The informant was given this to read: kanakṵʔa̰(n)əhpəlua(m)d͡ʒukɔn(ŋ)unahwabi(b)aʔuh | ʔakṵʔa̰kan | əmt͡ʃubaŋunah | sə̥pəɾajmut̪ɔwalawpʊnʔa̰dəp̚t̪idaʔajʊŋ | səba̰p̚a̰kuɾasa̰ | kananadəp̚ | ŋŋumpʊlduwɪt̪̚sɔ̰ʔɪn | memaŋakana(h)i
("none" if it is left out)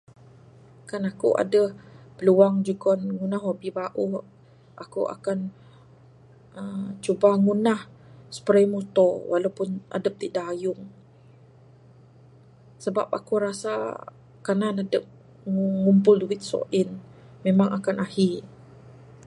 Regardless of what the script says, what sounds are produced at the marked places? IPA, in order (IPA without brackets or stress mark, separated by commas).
d, ŋ, ŋ, b, h